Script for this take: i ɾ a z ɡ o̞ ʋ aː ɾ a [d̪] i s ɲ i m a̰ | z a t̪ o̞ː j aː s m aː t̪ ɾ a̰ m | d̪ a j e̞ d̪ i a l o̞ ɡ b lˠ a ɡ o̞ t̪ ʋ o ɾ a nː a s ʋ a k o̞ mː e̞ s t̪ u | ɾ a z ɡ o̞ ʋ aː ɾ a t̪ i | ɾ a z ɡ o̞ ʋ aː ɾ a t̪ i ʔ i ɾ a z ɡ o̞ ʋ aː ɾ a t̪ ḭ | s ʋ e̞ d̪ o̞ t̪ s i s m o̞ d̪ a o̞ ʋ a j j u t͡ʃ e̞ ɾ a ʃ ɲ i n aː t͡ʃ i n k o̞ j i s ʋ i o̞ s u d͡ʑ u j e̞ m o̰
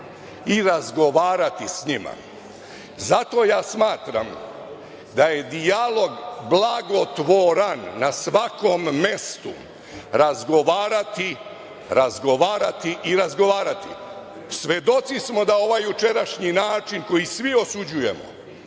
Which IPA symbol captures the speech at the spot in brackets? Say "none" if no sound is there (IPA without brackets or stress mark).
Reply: t̪